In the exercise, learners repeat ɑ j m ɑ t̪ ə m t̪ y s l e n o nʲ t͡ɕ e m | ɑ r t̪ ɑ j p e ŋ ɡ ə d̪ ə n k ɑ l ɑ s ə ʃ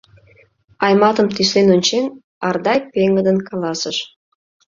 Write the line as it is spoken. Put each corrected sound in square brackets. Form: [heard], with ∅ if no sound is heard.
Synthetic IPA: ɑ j m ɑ t̪ ə m t̪ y s l e n o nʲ t͡ɕ e [n] | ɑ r [d̪] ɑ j p e ŋ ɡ ə d̪ ə n k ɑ l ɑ s ə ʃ